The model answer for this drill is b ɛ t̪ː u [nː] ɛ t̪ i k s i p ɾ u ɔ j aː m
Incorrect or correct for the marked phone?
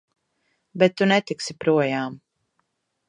incorrect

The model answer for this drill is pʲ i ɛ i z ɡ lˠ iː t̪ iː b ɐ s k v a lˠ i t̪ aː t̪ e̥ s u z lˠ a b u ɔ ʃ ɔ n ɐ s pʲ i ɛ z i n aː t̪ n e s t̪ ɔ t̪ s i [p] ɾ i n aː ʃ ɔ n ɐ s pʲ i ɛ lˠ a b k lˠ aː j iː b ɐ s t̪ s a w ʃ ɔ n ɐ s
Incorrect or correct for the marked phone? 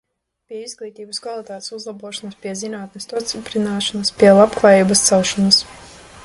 correct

